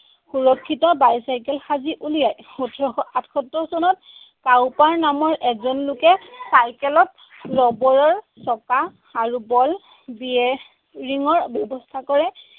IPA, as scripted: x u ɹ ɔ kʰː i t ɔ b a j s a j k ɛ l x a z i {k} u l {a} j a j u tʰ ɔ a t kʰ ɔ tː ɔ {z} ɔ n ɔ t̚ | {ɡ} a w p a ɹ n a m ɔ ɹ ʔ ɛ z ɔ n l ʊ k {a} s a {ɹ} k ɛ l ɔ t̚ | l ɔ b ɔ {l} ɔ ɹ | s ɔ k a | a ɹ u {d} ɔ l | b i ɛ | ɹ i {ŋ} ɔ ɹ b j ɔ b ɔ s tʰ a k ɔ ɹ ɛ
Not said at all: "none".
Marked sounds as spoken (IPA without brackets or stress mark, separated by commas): ʔ, i, s, k, ɛ, ɹ, ɹ, b, ŋ